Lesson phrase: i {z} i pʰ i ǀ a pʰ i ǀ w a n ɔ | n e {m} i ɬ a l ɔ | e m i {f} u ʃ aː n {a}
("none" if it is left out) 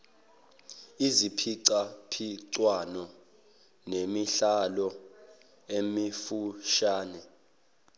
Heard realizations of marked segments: z, m, f, ɛ

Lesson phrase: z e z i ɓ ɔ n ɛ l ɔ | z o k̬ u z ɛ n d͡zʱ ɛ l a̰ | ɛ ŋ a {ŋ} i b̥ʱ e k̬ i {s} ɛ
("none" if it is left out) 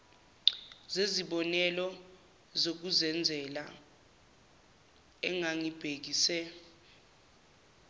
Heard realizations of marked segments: ŋ, s

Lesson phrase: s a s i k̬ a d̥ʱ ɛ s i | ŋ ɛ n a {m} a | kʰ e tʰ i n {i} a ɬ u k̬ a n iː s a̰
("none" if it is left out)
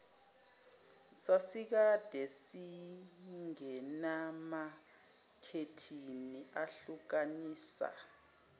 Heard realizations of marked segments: m, i

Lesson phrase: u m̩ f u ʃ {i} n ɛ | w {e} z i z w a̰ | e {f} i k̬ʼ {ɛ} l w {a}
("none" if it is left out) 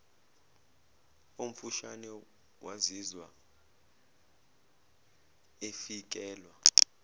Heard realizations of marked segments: a, a, f, ɛː, a

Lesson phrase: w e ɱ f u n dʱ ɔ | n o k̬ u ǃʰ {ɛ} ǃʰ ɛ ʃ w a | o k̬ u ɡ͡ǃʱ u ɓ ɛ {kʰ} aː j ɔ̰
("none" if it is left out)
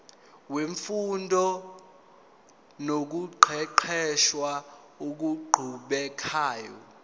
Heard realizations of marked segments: ɛ, kʰ

